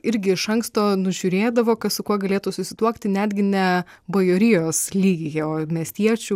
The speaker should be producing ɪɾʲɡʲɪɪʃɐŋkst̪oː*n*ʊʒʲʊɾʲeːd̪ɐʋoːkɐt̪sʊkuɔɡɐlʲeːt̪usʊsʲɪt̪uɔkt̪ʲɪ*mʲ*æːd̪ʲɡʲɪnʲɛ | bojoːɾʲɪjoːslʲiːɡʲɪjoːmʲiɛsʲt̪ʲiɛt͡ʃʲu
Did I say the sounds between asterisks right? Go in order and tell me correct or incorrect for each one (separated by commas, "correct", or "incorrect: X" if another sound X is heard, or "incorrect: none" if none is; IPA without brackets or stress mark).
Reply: correct, incorrect: nʲ